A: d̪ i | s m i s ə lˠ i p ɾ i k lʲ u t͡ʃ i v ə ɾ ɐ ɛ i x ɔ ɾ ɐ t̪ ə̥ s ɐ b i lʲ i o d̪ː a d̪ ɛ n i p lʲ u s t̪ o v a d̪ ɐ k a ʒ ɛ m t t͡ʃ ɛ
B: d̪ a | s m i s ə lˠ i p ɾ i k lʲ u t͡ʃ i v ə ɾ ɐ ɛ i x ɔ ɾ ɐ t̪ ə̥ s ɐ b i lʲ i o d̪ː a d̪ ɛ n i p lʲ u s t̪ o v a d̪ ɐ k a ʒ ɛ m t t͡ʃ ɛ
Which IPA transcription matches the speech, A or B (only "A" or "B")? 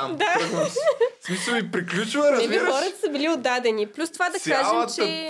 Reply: B